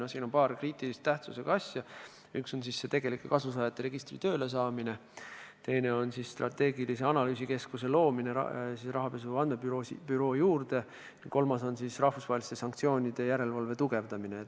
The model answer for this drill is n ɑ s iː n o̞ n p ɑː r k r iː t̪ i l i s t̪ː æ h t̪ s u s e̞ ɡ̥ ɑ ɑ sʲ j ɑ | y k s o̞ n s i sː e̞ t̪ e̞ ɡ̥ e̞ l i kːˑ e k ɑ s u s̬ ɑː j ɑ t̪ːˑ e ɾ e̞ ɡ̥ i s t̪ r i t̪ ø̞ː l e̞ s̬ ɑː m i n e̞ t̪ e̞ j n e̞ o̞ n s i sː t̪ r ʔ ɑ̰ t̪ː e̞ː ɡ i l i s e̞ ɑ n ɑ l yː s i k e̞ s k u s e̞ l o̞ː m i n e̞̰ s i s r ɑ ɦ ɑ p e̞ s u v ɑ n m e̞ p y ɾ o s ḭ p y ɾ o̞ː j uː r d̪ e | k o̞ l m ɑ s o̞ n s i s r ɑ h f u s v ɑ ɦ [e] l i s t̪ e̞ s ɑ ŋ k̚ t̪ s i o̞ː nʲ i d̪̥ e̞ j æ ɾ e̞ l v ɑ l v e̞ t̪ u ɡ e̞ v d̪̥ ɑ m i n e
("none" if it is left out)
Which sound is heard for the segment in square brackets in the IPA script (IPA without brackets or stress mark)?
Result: e